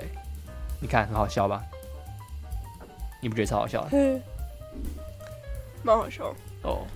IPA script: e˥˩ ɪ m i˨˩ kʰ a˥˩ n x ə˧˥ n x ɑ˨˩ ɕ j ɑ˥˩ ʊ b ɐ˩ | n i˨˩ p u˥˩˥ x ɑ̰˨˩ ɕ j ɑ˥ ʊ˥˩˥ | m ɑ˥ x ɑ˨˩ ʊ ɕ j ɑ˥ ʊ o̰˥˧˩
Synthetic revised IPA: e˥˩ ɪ n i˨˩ kʰ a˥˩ n x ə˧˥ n x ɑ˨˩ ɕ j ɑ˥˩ ʊ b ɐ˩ | n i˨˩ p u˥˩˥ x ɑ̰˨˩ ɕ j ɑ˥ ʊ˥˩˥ | m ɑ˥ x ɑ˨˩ ʊ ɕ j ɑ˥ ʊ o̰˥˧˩